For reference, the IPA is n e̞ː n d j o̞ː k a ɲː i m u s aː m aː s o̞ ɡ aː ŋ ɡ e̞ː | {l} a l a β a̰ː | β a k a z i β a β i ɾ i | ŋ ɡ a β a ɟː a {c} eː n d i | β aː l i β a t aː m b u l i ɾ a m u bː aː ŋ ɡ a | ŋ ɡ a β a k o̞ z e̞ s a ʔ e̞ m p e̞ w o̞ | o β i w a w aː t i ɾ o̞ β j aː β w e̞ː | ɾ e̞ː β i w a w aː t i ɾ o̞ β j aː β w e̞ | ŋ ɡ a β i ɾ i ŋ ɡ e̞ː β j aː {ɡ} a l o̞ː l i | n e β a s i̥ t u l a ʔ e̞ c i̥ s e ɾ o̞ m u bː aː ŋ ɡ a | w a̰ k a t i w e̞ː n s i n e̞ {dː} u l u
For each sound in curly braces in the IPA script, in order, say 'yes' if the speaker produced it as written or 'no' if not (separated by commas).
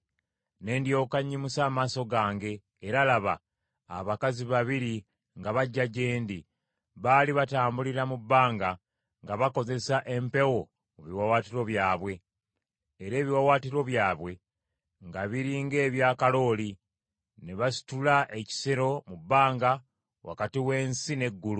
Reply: no, no, no, no